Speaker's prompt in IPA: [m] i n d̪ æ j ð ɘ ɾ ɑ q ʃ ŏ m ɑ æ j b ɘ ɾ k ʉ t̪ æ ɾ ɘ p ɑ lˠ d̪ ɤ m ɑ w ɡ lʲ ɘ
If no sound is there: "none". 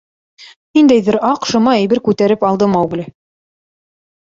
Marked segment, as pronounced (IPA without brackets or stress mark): n